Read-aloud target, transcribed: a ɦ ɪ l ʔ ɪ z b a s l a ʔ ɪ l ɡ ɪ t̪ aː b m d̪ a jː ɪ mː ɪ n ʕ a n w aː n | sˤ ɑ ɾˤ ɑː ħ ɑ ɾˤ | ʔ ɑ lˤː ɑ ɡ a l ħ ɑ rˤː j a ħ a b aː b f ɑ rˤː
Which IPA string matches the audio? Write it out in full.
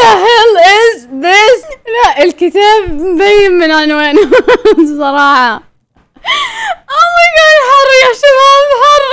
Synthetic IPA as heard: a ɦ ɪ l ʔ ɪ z b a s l a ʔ ɪ l k ɪ t̪ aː b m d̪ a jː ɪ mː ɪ n ʕ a n w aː n | sˤ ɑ ɾˤ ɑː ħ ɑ | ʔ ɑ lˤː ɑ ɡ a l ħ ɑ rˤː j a ʃ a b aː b ħ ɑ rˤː